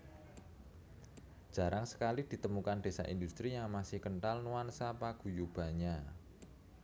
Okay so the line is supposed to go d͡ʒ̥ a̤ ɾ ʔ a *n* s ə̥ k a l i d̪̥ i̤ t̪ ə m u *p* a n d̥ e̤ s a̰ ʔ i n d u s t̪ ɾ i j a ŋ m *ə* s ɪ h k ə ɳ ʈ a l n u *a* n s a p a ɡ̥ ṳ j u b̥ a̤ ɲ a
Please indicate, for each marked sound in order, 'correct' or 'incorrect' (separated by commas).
incorrect, incorrect, incorrect, correct